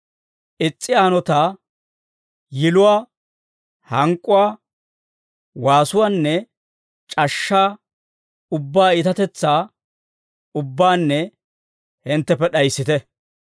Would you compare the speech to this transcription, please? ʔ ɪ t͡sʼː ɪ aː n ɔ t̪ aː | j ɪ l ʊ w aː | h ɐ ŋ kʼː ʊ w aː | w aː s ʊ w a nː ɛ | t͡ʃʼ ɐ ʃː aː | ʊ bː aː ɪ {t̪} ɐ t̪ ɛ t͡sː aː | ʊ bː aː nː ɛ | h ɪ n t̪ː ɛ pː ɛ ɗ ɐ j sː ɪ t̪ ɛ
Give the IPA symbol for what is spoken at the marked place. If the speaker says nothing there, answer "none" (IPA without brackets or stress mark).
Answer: t̪